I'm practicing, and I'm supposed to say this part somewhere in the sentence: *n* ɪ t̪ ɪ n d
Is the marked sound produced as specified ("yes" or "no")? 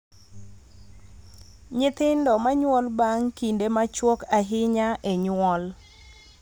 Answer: no